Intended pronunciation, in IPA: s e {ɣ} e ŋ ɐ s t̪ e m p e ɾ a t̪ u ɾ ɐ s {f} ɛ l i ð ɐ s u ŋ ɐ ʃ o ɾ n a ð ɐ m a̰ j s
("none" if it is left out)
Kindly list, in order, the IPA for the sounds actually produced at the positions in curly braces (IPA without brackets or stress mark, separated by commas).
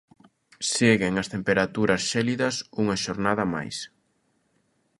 ɣ, ʃ